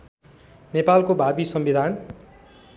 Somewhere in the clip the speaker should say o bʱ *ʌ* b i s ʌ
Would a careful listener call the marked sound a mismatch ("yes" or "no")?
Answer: yes